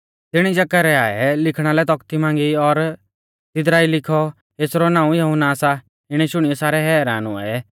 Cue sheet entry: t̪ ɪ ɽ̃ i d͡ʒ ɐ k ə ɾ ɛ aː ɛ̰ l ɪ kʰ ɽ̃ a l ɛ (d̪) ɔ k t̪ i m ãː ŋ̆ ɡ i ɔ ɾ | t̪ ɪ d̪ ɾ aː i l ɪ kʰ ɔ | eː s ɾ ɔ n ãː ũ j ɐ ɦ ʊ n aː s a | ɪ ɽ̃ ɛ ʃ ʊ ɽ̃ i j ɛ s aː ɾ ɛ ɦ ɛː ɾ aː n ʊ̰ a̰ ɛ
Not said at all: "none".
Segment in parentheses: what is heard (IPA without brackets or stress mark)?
t̪